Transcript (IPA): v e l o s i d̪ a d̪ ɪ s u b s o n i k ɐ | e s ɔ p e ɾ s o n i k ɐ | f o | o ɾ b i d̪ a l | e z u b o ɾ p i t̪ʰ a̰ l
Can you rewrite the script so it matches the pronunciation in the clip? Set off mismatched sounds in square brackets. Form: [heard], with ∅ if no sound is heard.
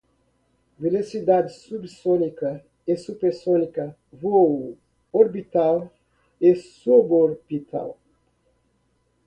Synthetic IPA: v e l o s i d̪ a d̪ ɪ s u b s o n i k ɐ | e s [u] p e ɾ s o n i k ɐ | [v] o | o ɾ b i [t̪] a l | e [s] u b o ɾ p i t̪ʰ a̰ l